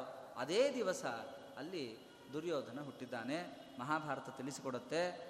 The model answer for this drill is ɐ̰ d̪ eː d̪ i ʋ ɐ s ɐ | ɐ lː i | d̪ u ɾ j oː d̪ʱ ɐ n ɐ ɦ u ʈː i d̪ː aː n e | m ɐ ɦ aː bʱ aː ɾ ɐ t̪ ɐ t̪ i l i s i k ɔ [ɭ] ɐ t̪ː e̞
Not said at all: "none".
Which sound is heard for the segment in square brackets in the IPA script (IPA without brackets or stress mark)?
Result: ɽ